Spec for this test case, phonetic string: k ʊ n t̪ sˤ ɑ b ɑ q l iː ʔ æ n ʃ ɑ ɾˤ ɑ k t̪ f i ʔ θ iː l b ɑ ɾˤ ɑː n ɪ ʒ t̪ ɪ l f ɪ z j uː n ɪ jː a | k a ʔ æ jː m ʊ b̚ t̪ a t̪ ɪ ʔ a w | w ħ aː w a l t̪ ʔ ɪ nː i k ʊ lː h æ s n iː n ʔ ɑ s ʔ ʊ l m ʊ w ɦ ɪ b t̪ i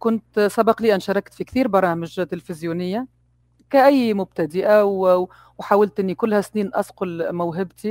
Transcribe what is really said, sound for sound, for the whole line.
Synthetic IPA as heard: k ʊ n t̪ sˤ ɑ b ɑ q l iː ʔ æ n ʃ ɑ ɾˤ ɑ k t̪ f i k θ iː ɾ b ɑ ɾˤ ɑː m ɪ ʒ t̪ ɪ l f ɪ z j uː n ɪ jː a | k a ʔ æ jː m ʊ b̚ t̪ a d̪ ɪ ʔ a w | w ħ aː w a l t̪ ʔ ɪ nː i k ʊ lː h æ s n iː n ʔ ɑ s q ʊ l m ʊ w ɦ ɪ b t̪ i